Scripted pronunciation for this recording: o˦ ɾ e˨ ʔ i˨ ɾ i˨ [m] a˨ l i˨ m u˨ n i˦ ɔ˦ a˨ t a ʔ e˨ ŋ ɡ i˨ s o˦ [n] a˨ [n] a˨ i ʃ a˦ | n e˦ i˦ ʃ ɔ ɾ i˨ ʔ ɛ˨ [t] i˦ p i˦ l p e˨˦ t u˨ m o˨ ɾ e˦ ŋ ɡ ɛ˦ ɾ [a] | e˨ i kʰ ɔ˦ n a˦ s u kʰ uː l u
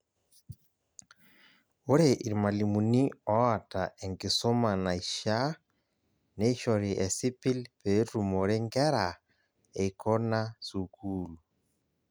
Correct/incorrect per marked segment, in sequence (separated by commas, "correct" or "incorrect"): correct, incorrect, correct, incorrect, correct